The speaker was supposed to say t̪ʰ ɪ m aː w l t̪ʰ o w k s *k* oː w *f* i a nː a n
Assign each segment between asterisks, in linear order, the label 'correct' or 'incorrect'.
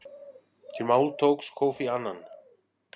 incorrect: kʰ, correct

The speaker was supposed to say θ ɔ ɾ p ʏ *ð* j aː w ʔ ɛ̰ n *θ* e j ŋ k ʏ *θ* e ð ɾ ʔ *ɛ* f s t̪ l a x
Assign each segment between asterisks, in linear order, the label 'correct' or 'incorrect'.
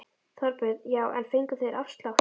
correct, incorrect: f, correct, incorrect: a

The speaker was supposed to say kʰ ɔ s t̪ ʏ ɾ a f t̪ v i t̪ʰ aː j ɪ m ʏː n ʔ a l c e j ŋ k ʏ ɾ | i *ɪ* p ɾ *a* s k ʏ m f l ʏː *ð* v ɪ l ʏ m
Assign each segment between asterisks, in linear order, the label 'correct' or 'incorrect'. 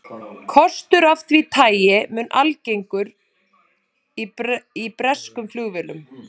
incorrect: i, incorrect: ɛ, incorrect: ɣ

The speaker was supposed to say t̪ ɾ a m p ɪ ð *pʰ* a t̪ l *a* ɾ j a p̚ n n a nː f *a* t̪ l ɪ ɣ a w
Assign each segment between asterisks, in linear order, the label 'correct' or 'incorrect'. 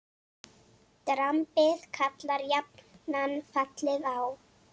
incorrect: kʰ, correct, correct

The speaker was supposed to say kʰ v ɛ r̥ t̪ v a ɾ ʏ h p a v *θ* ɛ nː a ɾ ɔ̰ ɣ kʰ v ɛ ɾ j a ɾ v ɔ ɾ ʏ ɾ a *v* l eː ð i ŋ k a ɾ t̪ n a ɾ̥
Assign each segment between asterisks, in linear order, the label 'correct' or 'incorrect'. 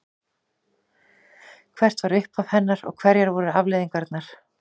incorrect: h, correct

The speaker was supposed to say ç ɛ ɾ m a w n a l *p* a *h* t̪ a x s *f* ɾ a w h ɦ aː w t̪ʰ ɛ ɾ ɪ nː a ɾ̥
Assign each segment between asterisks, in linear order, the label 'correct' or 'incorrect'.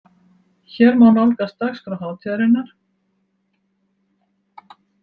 incorrect: k, incorrect: s, correct

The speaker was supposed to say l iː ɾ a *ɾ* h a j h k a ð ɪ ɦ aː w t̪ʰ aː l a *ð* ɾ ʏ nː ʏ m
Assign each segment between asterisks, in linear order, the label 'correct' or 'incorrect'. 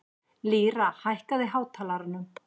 incorrect: none, incorrect: none

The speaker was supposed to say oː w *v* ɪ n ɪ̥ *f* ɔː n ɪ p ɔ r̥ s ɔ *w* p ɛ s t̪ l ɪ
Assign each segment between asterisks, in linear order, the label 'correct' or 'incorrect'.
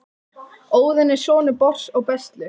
incorrect: ð, incorrect: s, incorrect: ɣ

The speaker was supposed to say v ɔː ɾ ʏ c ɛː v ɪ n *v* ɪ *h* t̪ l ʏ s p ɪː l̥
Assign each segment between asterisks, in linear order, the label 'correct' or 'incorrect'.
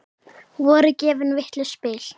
correct, correct

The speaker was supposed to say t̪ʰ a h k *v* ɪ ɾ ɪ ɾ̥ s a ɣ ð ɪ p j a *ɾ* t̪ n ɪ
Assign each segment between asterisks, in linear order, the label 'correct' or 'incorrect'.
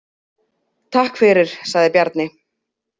incorrect: f, correct

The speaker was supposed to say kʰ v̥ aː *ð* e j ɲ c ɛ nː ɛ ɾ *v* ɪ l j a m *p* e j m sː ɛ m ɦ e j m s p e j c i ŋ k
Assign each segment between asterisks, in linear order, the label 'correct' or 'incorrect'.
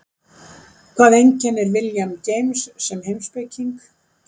correct, correct, incorrect: c

